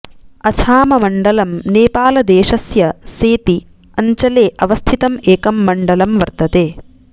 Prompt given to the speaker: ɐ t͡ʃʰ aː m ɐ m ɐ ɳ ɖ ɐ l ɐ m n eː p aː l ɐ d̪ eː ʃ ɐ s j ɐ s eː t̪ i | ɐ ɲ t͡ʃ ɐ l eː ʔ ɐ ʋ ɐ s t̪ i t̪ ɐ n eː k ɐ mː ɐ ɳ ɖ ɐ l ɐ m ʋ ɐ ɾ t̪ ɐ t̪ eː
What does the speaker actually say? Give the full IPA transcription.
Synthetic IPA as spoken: ɐ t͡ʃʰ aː m ɐ m ɐ ɳ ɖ ɐ l ɐ m n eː p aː l ɐ d̪ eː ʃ ɐ s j ɐ s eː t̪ i | ɐ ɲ t͡ʃ ɐ l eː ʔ ɐ ʋ ɐ s t̪ʰ i t̪ ɐ m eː k ɐ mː ɐ ɳ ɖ ɐ l ɐ m ʋ ɐ ɾ t̪ ɐ t̪ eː